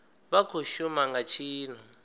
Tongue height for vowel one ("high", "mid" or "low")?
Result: low